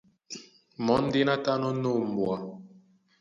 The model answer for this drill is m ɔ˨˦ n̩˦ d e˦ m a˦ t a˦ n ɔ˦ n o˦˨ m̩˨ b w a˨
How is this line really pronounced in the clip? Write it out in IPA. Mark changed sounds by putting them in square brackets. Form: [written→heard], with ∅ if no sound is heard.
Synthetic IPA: m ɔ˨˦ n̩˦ d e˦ [m→n] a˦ t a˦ n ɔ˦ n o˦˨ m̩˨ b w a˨